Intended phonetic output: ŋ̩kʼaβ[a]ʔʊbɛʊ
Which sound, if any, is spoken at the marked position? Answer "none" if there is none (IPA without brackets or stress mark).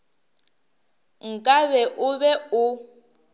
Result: ɛ